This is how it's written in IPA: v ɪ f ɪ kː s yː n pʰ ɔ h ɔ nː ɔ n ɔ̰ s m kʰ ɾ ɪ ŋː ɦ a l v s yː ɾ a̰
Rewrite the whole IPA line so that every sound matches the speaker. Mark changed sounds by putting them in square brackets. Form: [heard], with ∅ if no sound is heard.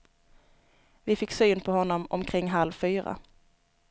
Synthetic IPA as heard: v ɪ f ɪ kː s yː n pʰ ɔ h ɔ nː ɔ [m] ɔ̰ [∅] m kʰ ɾ ɪ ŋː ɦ a l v [f] yː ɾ a̰